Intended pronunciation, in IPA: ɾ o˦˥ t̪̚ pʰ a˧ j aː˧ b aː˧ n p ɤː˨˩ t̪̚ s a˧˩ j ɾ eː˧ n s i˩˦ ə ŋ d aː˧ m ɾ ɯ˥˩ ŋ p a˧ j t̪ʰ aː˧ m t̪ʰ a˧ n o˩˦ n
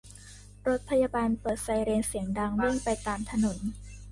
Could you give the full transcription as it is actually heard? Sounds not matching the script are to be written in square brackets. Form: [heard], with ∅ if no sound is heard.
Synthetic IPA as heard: ɾ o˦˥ t̪̚ pʰ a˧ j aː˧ b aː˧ n p ɤː˨˩ t̪̚ s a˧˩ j ɾ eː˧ n s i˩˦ ə ŋ d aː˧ [ŋ] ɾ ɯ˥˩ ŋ p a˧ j [t̪] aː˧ m t̪ʰ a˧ n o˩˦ n

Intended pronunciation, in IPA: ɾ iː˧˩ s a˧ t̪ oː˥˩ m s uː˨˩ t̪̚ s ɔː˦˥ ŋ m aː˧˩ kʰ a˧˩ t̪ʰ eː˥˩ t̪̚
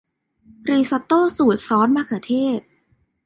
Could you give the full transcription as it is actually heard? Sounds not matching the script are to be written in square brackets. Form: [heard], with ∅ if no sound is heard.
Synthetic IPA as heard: ɾ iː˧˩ s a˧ t̪ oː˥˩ [∅] s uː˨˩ t̪̚ s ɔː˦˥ [n] m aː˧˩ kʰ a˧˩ t̪ʰ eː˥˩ t̪̚

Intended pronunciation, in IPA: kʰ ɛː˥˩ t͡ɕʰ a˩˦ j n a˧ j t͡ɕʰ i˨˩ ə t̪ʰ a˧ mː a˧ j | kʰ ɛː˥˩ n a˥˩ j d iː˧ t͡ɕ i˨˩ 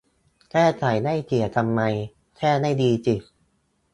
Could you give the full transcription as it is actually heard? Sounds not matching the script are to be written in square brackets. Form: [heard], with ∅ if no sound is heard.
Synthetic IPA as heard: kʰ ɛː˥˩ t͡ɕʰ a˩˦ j n [a˥˩] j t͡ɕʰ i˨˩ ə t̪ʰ a˧ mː a˧ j | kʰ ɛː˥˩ n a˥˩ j d iː˧ t͡ɕ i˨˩

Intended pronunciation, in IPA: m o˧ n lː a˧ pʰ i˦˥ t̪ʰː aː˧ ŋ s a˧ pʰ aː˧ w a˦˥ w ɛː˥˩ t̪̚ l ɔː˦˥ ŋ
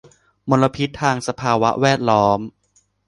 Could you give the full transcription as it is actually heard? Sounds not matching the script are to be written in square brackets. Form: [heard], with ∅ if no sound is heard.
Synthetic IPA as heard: m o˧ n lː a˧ pʰ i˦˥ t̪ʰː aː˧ ŋ s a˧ pʰ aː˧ w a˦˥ w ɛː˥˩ t̪̚ l ɔː˦˥ [m]

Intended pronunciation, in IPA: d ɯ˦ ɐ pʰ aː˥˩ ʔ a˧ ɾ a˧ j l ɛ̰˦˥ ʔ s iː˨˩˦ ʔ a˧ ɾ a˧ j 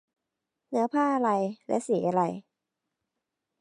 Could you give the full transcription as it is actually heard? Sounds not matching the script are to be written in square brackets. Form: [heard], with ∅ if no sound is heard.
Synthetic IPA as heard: [n] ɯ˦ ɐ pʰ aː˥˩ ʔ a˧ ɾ a˧ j l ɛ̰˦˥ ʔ s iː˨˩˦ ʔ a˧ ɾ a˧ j

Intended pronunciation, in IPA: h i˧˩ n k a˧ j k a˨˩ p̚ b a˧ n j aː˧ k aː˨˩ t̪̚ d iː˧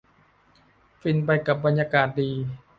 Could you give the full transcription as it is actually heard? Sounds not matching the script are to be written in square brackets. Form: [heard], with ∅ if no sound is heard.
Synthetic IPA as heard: [f] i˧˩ n [p] a˧ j k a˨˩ p̚ b a˧ n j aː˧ k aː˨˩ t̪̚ d iː˧

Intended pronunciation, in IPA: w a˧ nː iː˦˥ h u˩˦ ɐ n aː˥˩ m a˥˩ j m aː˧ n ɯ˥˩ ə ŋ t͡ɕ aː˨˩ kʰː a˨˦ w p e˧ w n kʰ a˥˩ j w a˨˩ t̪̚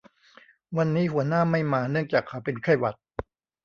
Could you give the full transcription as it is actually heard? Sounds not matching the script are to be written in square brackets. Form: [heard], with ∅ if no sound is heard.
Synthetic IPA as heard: w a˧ nː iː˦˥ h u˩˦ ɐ n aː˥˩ m a˥˩ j m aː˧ n ɯ˥˩ ə ŋ t͡ɕ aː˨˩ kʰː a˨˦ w p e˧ [∅] n kʰ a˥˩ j w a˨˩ t̪̚

